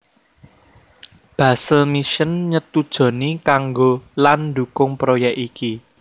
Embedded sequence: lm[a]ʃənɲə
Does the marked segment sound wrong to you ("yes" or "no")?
yes